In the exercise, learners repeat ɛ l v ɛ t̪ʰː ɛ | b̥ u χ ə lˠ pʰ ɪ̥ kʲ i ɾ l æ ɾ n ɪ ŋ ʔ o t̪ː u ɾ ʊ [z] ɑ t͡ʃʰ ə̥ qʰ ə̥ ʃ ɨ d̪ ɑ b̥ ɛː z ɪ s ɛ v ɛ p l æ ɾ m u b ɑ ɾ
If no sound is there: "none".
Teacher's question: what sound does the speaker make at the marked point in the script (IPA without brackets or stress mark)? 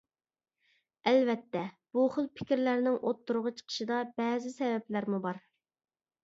ʁ